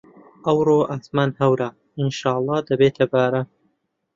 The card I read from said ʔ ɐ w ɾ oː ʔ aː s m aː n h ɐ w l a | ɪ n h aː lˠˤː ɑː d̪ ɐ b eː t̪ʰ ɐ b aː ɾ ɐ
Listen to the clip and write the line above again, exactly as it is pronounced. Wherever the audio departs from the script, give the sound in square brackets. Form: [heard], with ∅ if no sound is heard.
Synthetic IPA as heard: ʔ ɐ w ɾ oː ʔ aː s m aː n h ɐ w [ɾ] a | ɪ n [ʃ] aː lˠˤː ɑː d̪ ɐ b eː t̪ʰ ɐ b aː ɾ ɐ